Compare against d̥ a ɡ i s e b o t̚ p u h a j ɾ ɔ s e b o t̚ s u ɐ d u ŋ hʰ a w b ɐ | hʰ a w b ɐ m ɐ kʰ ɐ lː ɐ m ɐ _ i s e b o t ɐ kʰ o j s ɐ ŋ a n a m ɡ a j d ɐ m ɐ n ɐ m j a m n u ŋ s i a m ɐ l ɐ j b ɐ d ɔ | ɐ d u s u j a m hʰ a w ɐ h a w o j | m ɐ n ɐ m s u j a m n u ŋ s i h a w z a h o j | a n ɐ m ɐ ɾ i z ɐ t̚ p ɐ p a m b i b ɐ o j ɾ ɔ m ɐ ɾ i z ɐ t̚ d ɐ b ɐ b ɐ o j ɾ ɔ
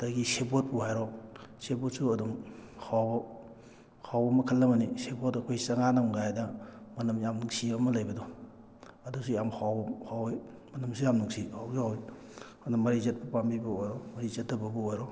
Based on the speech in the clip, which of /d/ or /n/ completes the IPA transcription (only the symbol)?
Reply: n